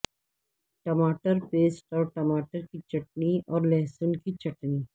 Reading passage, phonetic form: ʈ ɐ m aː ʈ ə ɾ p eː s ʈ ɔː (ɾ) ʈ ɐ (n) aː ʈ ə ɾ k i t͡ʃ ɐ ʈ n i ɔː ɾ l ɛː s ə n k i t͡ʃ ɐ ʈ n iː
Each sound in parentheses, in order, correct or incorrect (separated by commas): correct, incorrect